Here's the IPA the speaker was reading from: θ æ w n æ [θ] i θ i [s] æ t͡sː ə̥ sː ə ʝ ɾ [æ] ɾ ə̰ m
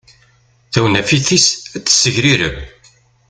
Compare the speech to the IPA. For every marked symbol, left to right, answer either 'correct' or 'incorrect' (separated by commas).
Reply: incorrect, correct, incorrect